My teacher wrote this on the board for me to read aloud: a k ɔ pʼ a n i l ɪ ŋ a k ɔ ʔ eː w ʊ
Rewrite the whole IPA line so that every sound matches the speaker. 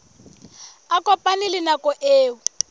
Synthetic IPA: a k ɔ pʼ a n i l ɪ n a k ɔ ʔ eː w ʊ